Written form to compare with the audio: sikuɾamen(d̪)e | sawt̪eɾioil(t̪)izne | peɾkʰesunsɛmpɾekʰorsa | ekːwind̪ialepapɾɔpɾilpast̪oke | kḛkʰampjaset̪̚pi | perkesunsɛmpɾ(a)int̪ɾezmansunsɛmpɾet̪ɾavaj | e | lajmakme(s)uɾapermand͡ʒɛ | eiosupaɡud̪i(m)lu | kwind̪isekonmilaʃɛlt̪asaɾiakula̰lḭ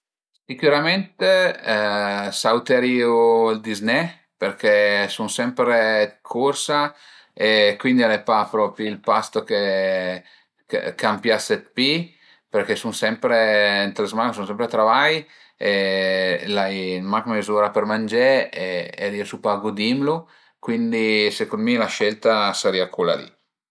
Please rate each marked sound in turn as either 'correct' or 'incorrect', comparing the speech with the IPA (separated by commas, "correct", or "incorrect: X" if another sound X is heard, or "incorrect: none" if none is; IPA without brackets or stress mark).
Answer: incorrect: t̪, incorrect: d̪, incorrect: e, incorrect: z, correct